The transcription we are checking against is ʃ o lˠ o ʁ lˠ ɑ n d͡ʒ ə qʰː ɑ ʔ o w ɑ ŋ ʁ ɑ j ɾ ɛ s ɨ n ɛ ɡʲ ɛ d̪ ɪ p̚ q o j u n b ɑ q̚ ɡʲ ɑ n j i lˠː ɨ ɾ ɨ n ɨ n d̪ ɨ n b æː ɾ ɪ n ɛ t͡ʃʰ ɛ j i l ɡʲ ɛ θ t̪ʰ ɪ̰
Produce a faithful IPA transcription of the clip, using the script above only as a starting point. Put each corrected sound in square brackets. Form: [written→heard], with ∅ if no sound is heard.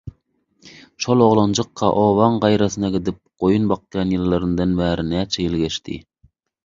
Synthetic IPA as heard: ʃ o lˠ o ʁ lˠ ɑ n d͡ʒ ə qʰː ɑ ʔ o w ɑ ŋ ʁ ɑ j ɾ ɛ s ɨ n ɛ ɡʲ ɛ d̪ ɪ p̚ q o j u n b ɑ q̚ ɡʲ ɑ n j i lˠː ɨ ɾ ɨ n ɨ [n→∅] d̪ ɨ n b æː ɾ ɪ n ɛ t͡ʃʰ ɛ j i l ɡʲ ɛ [θ→ʃ] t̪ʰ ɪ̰